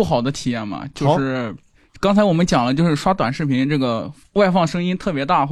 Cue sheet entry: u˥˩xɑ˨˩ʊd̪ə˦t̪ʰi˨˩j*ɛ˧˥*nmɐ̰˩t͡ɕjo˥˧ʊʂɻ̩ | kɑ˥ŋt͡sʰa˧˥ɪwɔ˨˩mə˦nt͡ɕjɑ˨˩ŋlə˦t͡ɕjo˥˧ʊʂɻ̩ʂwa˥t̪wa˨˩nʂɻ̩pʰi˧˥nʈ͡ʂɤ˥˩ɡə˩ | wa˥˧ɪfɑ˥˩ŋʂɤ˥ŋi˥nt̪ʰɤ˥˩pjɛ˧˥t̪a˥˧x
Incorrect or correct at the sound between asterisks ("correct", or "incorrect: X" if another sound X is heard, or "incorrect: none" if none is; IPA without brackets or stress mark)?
incorrect: ɛ˥˩